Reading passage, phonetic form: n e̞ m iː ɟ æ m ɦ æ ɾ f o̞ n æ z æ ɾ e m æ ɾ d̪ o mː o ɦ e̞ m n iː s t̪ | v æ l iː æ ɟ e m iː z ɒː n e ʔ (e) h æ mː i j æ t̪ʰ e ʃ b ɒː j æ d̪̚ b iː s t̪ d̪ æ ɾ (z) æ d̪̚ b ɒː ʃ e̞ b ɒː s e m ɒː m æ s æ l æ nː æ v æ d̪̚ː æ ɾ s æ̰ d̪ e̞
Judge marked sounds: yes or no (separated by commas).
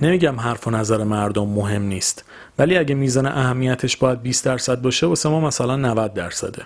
no, no